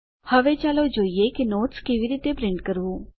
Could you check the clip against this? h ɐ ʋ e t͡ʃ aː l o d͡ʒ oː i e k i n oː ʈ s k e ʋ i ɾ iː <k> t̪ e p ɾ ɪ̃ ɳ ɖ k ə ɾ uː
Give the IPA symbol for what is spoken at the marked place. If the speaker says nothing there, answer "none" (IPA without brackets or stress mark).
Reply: none